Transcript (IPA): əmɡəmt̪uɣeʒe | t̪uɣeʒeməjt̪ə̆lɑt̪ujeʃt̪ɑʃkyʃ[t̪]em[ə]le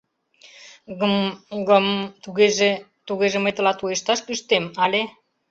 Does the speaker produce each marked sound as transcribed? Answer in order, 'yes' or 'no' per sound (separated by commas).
yes, no